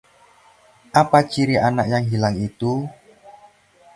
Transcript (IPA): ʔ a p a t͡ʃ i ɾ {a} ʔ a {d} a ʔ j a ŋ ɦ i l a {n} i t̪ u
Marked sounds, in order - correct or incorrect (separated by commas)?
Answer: incorrect, incorrect, incorrect